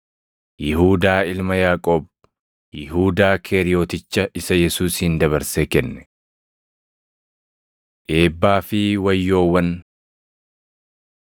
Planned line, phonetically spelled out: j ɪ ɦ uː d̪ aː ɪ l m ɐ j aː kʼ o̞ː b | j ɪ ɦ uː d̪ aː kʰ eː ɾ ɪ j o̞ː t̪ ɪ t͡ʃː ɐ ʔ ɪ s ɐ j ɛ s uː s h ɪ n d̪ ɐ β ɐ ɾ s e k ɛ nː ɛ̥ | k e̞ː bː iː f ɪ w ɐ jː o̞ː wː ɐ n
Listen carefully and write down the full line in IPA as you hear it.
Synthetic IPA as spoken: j ɪ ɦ uː d̪ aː ɪ l m ɐ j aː kʼ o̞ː b | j ɪ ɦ uː d̪ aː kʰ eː ɾ ɪ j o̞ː t̪ ɪ t͡ʃː ɐ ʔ ɪ s ɐ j ɛ s uː s h ɪ n d̪ ɐ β ɐ ɾ s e k ɛ nː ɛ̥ | ʔ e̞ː bː aː f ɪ w ɐ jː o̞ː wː ɐ n